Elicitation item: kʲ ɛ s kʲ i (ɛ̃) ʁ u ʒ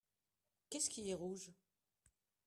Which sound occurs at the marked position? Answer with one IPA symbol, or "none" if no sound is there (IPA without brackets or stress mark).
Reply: ɛ